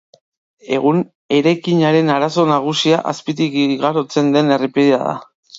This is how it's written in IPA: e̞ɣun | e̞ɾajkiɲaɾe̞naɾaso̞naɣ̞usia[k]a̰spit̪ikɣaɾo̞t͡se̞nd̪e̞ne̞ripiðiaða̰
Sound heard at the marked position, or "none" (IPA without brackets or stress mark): ʔ